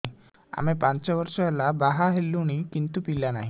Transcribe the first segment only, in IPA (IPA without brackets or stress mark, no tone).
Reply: a̰